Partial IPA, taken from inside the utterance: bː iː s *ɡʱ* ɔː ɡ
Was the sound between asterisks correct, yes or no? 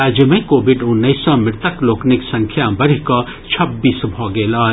no